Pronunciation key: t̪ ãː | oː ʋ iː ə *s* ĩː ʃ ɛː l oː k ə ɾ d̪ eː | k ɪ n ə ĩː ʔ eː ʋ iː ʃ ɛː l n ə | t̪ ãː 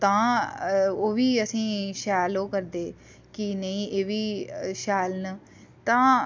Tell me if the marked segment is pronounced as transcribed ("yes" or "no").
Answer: yes